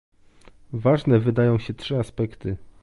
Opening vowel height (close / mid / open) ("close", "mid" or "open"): open